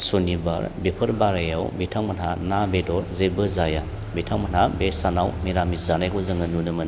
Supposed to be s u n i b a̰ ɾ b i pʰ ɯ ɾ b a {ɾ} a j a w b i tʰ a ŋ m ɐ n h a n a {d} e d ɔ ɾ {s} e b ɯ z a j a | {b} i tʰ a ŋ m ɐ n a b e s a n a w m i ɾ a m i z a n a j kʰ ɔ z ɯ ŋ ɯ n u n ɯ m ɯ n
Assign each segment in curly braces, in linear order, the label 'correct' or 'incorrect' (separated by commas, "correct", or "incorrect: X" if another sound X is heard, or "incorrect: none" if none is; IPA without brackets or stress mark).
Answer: correct, incorrect: b, incorrect: z, correct